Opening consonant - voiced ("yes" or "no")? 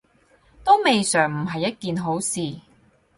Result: no